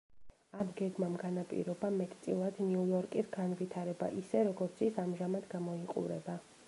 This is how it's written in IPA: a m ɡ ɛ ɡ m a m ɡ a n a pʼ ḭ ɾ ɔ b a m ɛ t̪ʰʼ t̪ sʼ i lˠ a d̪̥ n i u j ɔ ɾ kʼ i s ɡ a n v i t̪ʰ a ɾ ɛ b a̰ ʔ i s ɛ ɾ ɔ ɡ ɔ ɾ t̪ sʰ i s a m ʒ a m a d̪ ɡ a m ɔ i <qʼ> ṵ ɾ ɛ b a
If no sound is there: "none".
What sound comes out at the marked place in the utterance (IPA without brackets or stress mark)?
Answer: qʼ